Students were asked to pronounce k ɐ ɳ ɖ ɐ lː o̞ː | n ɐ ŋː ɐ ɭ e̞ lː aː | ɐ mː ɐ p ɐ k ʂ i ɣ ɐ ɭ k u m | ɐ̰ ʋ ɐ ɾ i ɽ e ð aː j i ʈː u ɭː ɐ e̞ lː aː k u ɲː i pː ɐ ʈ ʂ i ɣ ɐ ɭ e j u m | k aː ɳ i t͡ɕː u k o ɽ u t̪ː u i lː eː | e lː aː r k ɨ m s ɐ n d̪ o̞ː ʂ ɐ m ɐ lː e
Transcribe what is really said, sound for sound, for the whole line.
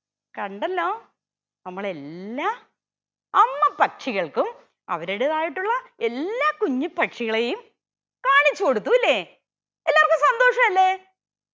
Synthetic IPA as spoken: k ɐ ɳ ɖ ɐ lː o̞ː | n ɐ mː ɐ ɭ e̞ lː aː | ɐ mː ɐ p ɐ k ʂ i ɣ ɐ ɭ k u m | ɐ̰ ʋ ɐ ɾ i ɽ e ð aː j i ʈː u ɭː ɐ e̞ lː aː k u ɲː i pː ɐ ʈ ʂ i ɣ ɐ ɭ e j u m | k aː ɳ i t͡ɕː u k o ɽ u t̪ː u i lː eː | e lː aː r k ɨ m s ɐ n d̪ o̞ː ʂ ɐ m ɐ lː e

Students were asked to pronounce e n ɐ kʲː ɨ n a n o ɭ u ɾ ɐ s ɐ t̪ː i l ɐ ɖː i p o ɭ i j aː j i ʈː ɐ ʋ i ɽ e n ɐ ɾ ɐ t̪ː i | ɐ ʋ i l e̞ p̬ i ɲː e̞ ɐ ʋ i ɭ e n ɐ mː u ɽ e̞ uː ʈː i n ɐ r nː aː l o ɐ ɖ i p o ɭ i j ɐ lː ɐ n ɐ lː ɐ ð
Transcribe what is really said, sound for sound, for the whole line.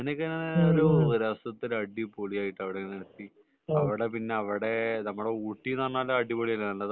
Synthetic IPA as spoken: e n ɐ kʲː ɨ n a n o ɾ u ɾ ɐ s ɐ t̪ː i l ɐ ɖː i p o ɭ i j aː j i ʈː ɐ ʋ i ɽ e n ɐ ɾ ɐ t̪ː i | ɐ ʋ i ɽ e̞ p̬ i nː e̞ ɐ ʋ i ɽ e n ɐ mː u ɽ e̞ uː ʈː i n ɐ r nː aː l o ɐ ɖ i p o ɭ i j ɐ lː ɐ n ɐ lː ɐ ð

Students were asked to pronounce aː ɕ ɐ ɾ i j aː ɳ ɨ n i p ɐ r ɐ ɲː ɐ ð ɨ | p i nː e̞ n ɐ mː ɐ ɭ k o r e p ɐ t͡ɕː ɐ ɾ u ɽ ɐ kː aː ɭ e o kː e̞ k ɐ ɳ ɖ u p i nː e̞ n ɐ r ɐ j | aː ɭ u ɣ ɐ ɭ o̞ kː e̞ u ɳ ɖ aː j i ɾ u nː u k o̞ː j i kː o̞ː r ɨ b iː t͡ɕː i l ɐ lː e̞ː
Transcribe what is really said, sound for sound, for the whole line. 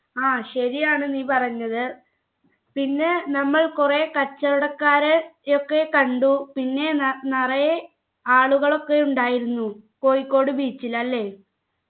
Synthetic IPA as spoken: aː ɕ ɐ ɾ i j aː ɳ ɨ n iː p ɐ r ɐ ɲː ɐ ð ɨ | p i nː e̞ n ɐ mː ɐ ɭ k u r e k ɐ t͡ɕː ɐ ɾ u ɽ ɐ kː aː ɾ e o kː e̞ k ɐ ɳ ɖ u p i nː e̞ n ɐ r ɐ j | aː ɭ u ɣ ɐ ɭ o̞ kː e̞ u ɳ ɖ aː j i ɾ u nː u k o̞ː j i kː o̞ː ɽ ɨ b iː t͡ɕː i l ɐ lː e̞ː

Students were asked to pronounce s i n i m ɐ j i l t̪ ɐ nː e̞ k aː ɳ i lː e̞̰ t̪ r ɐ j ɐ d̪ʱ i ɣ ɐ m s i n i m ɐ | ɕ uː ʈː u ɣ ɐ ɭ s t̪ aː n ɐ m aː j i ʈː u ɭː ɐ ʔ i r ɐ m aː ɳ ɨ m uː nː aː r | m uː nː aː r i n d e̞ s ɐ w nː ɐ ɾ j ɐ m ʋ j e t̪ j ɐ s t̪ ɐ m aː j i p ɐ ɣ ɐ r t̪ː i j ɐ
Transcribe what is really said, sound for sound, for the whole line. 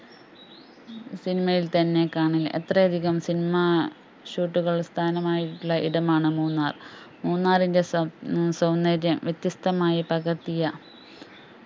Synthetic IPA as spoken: s i n i m ɐ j i l t̪ ɐ nː e̞ k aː ɳ i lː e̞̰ t̪ r ɐ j ɐ d̪ʱ i ɣ ɐ m s i n i m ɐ | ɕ uː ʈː u ɣ ɐ ɭ s t̪ʰ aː n ɐ m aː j i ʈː u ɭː ɐ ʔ i ɽ ɐ m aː ɳ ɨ m uː nː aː r | m uː nː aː r i n d e̞ s ɐ w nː ɐ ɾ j ɐ m ʋ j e t̪ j ɐ s t̪ ɐ m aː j i p ɐ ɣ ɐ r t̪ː i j ɐ

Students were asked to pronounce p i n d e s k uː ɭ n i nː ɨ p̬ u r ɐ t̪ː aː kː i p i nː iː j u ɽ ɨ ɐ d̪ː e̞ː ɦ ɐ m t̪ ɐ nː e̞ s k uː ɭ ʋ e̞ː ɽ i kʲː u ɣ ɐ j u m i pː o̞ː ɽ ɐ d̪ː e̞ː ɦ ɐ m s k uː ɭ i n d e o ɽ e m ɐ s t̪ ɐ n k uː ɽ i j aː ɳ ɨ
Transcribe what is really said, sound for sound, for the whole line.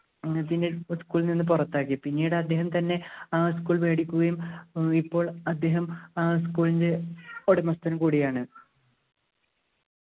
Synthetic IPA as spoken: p i n d e s k uː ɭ n i nː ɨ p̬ u r ɐ t̪ː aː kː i p i nː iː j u ɽ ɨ ɐ d̪ː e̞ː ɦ ɐ m t̪ ɐ nː e̞ s k uː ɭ ʋ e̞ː ɽ i kʲː u ɣ ɐ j u m i pː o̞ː ɭ ɐ d̪ː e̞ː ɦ ɐ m s k uː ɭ i n d e o ɽ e m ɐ s t̪ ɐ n k uː ɽ i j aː ɳ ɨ

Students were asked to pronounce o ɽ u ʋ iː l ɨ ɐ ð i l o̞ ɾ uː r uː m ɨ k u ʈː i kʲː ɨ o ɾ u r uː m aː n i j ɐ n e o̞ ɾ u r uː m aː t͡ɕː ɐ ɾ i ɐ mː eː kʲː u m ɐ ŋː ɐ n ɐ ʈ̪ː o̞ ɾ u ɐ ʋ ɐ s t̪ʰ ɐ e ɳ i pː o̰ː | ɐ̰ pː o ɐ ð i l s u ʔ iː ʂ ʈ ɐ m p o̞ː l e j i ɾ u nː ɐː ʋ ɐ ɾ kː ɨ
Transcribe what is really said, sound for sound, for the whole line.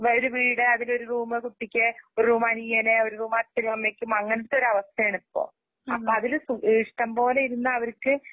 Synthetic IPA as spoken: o ɾ u ʋ iː ɽ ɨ ɐ ð i l o̞ ɾ u r uː m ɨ k u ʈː i kʲː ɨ o ɾ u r uː m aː n i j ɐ n e o̞ ɾ u r uː m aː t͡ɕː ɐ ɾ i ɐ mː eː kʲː u m ɐ ŋː ɐ n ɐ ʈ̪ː o̞ ɾ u ɐ ʋ ɐ s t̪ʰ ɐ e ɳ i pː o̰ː | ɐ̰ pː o ɐ ð i l s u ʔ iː ʂ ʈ ɐ m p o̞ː l e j i ɾ u nː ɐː ʋ ɐ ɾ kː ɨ

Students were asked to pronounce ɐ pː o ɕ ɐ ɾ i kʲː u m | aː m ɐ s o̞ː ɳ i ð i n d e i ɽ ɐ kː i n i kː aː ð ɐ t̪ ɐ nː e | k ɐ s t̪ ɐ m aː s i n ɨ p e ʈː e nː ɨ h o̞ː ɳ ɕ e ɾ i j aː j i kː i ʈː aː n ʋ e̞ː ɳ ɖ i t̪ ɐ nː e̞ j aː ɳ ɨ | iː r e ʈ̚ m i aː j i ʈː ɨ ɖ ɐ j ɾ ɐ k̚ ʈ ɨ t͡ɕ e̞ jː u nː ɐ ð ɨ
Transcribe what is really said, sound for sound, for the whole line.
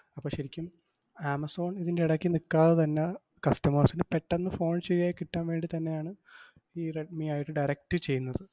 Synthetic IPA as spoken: ɐ pː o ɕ ɐ ɾ i kʲː u m | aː m ɐ s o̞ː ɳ i ð i n d e i ɽ ɐ kː i n i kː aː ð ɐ t̪ ɐ nː e | k ɐ s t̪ ɐ m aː s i n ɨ p e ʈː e nː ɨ f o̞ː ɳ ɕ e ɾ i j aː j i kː i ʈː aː n ʋ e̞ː ɳ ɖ i t̪ ɐ nː e̞ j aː ɳ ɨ | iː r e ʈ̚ m i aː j i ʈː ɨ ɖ ɐ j ɾ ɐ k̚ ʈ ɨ t͡ɕ e̞ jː u nː ɐ ð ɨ

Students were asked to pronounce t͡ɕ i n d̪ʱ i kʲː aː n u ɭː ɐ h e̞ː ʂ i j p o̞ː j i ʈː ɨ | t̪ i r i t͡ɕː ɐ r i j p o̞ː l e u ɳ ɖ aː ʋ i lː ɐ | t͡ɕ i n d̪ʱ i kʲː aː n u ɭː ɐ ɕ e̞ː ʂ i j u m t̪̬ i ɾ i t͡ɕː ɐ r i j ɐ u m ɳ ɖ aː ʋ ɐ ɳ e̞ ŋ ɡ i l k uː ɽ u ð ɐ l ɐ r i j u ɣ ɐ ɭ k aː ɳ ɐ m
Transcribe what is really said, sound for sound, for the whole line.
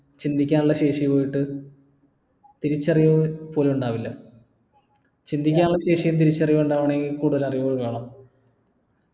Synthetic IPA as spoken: t͡ɕ i n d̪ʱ i kʲː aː n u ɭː ɐ ɕ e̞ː ʂ i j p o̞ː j i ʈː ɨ | t̪ i ɾ i t͡ɕː ɐ r i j p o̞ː l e u ɳ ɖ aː ʋ i lː ɐ | t͡ɕ i n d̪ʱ i kʲː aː n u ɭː ɐ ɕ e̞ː ʂ i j u m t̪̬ i ɾ i t͡ɕː ɐ r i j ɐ u ɳ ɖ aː ʋ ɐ ɳ e̞ ŋ ɡ i l k uː ɽ u ð ɐ l ɐ r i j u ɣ ɐ ɭ k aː ɳ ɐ m

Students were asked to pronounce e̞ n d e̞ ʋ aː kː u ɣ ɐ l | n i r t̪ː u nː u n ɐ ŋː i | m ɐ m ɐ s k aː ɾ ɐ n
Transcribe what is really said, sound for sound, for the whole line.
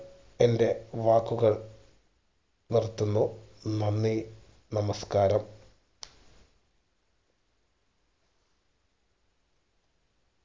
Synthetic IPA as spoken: e̞ n d e̞ ʋ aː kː u ɣ ɐ ɭ | n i r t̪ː u nː u n ɐ nː i | n ɐ m ɐ s k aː ɾ ɐ m

